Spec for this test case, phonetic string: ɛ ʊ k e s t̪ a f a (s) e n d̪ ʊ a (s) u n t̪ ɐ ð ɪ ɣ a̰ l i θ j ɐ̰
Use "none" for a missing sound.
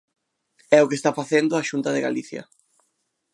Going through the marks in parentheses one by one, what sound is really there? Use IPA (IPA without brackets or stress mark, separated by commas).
θ, ʃ